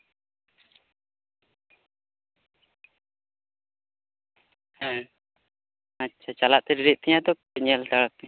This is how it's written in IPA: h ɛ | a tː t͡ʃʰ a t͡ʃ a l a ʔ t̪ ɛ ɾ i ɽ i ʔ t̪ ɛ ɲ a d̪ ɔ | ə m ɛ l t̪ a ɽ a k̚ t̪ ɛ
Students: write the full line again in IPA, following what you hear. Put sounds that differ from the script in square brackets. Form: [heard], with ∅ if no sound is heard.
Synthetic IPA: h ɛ | a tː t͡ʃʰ a t͡ʃ a l a ʔ t̪ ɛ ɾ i [ɾ] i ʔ t̪ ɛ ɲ a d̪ ɔ | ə [ɲ] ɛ l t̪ a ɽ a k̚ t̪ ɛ